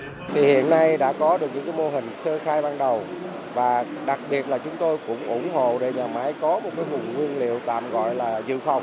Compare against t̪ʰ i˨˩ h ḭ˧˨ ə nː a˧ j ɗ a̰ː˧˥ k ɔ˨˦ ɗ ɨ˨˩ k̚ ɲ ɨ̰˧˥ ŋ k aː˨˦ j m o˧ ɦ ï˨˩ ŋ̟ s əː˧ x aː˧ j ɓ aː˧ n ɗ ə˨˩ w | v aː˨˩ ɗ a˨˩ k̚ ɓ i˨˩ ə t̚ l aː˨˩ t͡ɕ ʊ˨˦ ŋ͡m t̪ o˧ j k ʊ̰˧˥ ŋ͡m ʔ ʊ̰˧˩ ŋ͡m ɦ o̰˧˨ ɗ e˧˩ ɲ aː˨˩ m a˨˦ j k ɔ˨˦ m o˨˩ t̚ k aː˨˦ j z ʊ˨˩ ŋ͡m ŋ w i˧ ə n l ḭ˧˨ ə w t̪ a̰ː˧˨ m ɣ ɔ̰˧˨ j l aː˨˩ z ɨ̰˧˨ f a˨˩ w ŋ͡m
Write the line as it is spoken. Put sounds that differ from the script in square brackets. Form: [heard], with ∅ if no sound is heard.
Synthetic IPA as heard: t̪ʰ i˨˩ h ḭ˧˨ ə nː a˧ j ɗ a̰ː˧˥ k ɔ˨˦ ɗ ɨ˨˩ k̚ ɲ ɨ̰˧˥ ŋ k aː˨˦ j m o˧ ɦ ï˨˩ ŋ̟ s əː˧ x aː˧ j ɓ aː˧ n ɗ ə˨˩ w | v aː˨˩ ɗ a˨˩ k̚ ɓ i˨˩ ə t̚ l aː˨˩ t͡ɕ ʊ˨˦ ŋ͡m t̪ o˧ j k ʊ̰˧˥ ŋ͡m ʔ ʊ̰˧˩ ŋ͡m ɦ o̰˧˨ ɗ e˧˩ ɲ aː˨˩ m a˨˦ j k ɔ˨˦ m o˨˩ t̚ k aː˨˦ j [v] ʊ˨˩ ŋ͡m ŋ w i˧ ə n l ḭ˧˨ ə w t̪ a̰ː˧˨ m ɣ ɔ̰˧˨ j l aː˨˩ z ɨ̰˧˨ f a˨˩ w ŋ͡m